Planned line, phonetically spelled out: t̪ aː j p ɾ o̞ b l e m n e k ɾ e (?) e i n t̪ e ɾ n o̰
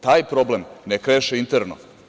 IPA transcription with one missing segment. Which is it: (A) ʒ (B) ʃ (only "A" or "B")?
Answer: B